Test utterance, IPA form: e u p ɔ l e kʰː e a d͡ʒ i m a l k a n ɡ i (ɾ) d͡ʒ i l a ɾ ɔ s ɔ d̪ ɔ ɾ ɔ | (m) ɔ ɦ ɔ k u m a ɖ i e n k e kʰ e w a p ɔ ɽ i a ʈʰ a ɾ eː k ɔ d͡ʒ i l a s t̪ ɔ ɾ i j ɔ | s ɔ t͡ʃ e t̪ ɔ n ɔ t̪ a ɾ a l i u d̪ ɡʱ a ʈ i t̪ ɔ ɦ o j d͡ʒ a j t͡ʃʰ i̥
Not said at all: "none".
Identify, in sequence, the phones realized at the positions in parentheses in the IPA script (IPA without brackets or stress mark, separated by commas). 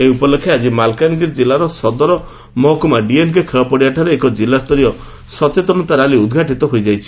ɾ, m